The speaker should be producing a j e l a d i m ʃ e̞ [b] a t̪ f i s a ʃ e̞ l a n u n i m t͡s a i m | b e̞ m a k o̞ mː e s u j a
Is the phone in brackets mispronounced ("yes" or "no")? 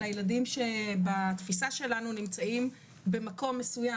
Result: no